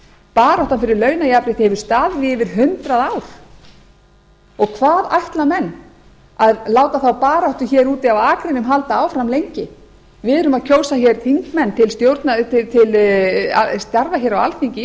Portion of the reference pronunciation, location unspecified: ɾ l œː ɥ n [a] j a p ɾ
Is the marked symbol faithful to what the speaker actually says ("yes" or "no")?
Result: yes